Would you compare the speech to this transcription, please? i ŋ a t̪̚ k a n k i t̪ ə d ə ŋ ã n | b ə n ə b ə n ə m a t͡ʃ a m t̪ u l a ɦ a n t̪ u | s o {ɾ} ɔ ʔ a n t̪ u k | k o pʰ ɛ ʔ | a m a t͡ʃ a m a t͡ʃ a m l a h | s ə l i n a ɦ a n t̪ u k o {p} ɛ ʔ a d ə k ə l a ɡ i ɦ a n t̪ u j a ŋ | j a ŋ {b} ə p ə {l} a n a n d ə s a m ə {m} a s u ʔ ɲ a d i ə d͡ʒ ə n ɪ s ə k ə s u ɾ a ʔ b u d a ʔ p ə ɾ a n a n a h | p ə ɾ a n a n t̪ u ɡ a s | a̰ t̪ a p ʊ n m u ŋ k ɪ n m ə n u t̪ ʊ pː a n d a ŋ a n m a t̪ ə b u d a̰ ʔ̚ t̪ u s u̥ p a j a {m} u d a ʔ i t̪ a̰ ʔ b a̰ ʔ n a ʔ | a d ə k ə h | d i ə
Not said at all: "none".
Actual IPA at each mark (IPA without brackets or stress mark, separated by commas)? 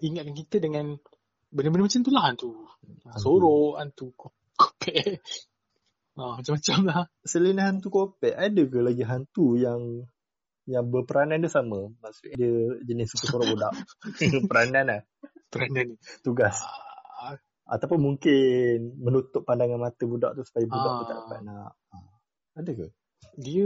ɾ, p, b, ɾ, m, b